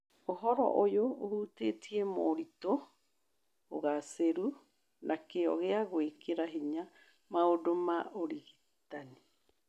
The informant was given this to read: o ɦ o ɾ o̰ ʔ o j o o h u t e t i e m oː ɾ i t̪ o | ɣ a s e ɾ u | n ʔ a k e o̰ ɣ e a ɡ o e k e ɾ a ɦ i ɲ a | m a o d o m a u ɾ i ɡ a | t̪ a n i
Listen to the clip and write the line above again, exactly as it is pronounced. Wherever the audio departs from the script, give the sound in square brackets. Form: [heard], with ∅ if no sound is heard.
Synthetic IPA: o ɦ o ɾ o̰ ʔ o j o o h u t e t i e m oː ɾ i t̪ o | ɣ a s e ɾ u | n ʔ a k e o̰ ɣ e a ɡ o e k e ɾ a ɦ i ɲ a | m a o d o m a [o] ɾ i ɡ [i] | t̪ a n i